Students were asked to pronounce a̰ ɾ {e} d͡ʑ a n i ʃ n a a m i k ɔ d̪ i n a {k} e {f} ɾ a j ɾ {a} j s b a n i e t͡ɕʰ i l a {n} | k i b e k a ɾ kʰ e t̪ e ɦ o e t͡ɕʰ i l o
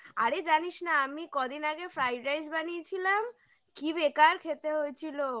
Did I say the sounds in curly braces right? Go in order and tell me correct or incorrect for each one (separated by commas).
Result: correct, incorrect, correct, correct, incorrect